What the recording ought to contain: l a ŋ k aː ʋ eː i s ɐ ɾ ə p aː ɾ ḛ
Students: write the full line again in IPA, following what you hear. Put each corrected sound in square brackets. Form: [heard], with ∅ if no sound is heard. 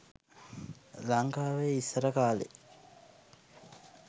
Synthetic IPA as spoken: l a ŋ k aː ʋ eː i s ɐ ɾ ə [k] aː [l] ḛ